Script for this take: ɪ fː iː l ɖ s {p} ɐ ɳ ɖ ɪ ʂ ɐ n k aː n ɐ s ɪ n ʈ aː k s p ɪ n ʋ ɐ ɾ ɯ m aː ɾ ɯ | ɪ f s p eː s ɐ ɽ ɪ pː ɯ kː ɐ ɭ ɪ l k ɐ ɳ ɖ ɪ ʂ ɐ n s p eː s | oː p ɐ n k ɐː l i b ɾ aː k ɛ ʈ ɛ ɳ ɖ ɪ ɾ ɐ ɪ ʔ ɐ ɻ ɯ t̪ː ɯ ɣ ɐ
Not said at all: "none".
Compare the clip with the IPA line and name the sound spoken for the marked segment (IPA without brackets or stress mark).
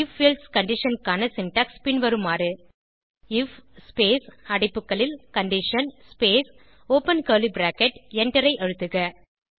k